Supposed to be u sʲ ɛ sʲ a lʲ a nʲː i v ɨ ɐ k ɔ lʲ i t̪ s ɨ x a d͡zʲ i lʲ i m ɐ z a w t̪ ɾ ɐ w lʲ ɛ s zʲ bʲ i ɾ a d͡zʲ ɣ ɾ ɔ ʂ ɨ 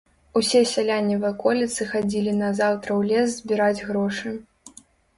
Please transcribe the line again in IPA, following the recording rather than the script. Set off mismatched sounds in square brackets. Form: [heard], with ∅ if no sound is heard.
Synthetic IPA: u sʲ ɛ sʲ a lʲ a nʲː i v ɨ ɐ k ɔ lʲ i t̪ s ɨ x a d͡zʲ i lʲ i [n] ɐ z a w t̪ ɾ ɐ w lʲ ɛ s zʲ bʲ i ɾ a d͡zʲ ɣ ɾ ɔ ʂ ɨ